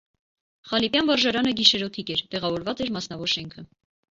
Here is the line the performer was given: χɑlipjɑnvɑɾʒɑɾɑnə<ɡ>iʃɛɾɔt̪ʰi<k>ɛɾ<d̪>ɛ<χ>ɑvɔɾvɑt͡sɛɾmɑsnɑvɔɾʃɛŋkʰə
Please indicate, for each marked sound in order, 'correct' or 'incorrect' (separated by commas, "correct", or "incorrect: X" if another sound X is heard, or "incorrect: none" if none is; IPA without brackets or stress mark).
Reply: correct, correct, incorrect: t̪, incorrect: ʁ